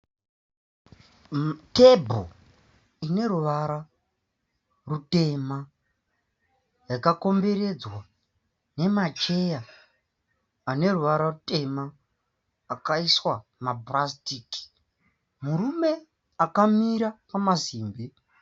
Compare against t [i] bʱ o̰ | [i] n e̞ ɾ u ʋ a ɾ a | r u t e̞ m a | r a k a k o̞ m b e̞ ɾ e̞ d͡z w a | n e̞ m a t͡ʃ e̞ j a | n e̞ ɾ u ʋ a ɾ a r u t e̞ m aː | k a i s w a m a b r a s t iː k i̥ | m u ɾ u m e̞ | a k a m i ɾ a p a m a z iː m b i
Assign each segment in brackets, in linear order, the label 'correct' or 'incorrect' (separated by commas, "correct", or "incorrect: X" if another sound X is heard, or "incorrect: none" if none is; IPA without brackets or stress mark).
incorrect: e, correct